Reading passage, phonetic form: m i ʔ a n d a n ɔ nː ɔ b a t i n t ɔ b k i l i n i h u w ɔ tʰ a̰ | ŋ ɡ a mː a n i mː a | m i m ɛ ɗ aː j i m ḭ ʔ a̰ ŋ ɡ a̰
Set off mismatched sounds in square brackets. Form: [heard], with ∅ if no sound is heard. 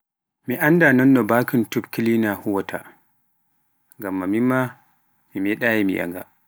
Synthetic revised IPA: m i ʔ a n d a n ɔ nː ɔ b a [k] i n t [u] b k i l i n [a] h u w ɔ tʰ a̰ | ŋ ɡ a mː a [m] i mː a | m i m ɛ ɗ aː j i m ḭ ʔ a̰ ŋ ɡ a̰